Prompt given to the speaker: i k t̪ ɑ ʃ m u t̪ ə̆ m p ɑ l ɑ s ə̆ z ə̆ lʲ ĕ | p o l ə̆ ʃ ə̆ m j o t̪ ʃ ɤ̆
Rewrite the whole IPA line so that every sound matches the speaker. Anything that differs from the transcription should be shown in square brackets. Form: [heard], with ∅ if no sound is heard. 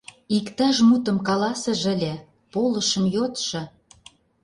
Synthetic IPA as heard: i k t̪ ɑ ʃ m u t̪ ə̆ m [k] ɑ l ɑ s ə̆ [ʒ] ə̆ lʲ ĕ | p o l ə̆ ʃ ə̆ m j o t̪ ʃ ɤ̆